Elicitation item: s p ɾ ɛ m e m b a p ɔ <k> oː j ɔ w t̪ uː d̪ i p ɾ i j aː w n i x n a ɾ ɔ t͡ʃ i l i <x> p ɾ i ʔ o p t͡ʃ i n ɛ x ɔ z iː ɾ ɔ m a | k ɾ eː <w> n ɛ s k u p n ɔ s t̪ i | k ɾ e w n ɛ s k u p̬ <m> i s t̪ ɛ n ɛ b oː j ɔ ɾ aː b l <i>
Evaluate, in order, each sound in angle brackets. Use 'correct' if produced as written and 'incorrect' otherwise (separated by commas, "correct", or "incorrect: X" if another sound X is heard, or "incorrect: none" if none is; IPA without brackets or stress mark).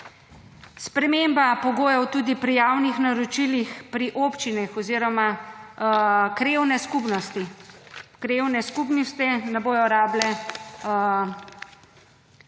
incorrect: ɡ, correct, correct, incorrect: n, incorrect: ɛ